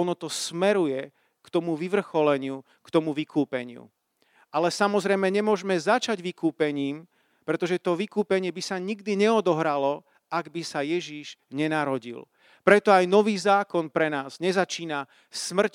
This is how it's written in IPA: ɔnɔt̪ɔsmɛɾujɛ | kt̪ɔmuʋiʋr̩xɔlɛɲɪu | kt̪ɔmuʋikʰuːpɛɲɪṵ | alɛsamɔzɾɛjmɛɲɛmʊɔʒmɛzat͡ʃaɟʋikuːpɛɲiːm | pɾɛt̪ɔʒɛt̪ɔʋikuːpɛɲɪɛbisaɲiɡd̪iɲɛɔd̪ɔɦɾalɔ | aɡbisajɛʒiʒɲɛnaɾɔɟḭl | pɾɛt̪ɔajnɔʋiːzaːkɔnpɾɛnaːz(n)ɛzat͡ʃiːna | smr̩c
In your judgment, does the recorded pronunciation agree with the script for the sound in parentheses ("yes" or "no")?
no